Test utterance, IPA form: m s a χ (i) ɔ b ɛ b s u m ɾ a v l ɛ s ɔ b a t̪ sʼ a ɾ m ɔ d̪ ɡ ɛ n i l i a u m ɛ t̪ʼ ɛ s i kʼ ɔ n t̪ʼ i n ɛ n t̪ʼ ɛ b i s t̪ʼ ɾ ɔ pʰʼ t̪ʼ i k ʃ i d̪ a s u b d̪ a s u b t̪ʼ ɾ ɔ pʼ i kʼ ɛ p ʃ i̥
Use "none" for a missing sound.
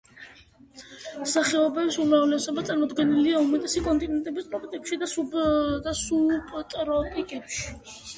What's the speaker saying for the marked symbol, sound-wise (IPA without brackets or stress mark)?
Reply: ɛ